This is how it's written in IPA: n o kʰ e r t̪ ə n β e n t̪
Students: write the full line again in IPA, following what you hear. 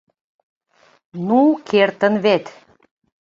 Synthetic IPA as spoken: n u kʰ e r t̪ ə n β e t̪